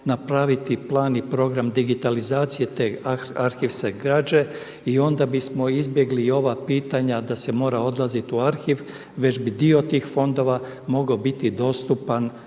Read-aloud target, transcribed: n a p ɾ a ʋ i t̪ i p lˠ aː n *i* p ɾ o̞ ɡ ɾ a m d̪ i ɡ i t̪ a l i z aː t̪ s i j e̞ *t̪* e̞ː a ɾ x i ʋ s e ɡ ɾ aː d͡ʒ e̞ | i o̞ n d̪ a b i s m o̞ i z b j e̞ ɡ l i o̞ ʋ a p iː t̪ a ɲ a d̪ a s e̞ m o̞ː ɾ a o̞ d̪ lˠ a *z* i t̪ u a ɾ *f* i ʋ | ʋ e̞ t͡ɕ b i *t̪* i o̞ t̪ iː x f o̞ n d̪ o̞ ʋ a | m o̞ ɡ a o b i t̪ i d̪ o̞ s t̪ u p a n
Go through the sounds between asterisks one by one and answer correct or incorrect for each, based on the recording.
correct, correct, correct, incorrect, incorrect

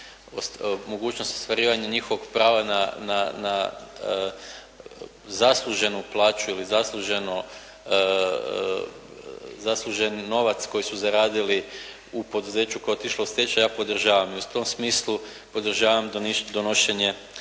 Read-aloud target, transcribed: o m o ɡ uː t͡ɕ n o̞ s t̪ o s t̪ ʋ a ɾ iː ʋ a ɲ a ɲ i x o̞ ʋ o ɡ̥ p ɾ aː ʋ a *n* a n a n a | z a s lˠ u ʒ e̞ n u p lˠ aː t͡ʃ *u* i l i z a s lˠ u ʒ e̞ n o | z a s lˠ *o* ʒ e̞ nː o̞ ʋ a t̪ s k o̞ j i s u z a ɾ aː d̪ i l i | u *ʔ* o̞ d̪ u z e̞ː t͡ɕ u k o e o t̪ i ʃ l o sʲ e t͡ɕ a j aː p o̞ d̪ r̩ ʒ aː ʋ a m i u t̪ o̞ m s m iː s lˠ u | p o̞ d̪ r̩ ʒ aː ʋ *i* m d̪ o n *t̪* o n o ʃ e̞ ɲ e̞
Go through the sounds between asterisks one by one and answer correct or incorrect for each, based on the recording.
correct, correct, incorrect, incorrect, incorrect, incorrect

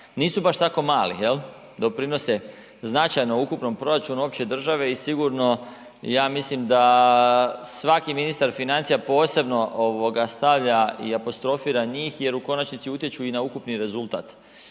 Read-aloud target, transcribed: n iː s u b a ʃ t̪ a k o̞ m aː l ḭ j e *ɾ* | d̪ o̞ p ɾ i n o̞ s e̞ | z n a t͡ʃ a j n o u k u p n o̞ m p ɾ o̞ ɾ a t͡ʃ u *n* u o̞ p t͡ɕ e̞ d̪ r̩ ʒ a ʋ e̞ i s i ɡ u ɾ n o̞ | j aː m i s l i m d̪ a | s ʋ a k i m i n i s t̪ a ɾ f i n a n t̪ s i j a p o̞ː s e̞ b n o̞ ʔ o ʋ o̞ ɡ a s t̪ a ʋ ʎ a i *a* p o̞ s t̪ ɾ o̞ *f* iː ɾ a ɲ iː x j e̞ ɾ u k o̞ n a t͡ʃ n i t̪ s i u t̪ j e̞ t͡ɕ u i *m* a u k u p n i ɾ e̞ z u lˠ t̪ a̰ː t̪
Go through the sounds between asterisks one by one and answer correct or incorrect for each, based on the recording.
incorrect, correct, correct, correct, incorrect

